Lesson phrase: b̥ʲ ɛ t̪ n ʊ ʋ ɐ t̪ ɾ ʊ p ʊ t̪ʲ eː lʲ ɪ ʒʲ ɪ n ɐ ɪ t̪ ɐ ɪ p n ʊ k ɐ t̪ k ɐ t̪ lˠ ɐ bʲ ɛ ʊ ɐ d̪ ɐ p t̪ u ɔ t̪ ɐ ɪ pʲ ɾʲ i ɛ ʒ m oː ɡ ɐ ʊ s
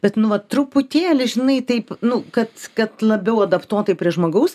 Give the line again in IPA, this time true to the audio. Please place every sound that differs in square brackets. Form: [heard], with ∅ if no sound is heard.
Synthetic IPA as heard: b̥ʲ ɛ t̪ n ʊ ʋ ɐ t̪ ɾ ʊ p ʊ t̪ʲ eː lʲ ɪ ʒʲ ɪ n ɐ ɪ t̪ ɐ ɪ p n ʊ k ɐ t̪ k ɐ t̪ lˠ ɐ bʲ ɛ ʊ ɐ d̪ ɐ p t̪ u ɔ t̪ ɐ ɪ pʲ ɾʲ i ɛ ʒ m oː ɡ ɐ ʊ s